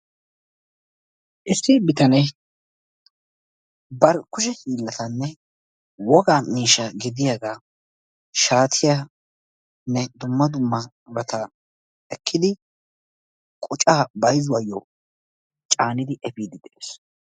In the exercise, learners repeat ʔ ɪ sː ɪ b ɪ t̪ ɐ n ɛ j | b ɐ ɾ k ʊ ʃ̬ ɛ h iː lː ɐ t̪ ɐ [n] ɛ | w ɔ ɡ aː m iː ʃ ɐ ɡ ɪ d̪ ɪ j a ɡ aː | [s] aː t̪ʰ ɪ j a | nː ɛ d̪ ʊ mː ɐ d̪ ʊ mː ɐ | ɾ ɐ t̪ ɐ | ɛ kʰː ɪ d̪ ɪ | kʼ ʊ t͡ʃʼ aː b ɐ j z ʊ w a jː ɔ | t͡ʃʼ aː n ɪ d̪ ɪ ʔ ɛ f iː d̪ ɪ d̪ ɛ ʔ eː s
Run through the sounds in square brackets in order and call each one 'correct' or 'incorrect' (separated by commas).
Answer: incorrect, incorrect